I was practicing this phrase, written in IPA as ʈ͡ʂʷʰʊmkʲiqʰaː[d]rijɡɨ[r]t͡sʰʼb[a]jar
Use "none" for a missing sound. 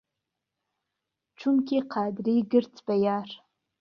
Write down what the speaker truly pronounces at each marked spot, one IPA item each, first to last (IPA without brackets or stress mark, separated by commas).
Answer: d, r, a